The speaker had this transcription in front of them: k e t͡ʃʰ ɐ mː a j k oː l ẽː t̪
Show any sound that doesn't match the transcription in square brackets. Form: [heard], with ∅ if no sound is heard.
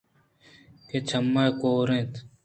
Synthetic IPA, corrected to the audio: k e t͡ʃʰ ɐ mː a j k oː [ɾ] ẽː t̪